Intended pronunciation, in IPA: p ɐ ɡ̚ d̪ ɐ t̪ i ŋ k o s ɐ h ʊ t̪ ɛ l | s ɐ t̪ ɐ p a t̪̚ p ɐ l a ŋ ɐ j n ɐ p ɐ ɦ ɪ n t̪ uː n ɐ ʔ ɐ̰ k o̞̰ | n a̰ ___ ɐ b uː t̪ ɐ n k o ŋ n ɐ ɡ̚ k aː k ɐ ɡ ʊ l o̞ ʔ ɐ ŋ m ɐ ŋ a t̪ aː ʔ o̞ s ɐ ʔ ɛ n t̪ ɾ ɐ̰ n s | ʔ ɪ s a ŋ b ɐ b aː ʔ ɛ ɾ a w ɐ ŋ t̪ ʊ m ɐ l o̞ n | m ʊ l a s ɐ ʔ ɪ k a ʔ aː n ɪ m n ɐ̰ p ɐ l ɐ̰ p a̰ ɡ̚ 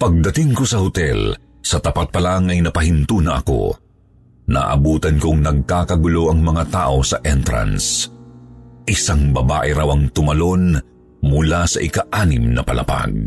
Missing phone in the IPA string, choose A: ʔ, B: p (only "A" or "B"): A